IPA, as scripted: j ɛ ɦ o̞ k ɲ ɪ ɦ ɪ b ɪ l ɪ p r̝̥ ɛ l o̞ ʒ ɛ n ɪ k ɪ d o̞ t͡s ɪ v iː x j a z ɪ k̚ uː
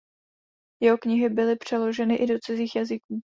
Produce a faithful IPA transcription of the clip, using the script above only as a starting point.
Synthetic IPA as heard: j ɛ ɦ o̞ k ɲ ɪ ɦ ɪ b ɪ l ɪ p r̝̥ ɛ l o̞ ʒ ɛ n ɪ ʔ ɪ d o̞ t͡s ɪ z iː x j a z ɪ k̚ uː